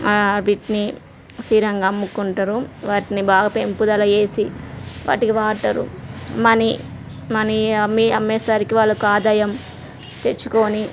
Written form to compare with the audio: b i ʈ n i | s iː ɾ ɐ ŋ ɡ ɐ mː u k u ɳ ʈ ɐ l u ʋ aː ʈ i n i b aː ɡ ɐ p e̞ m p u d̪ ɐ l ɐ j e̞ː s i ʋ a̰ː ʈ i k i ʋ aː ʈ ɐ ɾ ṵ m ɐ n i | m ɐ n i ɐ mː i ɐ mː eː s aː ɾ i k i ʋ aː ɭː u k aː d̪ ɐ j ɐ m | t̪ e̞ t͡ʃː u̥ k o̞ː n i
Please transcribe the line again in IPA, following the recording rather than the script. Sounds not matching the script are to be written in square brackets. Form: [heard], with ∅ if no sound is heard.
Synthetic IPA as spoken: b i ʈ n i | s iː ɾ ɐ ŋ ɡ ɐ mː u k u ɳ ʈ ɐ [ɾ] u ʋ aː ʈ i n i b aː ɡ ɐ p e̞ m p u d̪ ɐ l ɐ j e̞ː s i ʋ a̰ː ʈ i k i ʋ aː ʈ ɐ ɾ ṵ m ɐ n i | m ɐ n i ɐ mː i ɐ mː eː s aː ɾ i k i ʋ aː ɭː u k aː d̪ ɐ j ɐ m | t̪ e̞ t͡ʃː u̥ k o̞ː n i